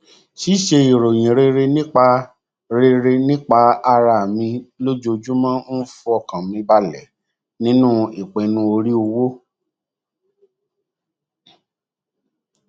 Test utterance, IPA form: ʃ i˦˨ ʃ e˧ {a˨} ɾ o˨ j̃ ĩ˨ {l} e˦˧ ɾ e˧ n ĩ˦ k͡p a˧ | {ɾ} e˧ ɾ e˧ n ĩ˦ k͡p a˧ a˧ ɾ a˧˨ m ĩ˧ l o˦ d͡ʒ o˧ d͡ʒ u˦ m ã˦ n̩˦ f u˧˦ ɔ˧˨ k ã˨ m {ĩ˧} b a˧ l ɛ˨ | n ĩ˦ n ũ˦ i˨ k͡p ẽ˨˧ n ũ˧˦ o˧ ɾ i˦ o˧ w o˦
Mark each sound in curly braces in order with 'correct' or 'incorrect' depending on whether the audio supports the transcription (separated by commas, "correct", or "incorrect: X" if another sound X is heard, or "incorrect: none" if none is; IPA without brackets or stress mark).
incorrect: i˨, incorrect: ɾ, correct, correct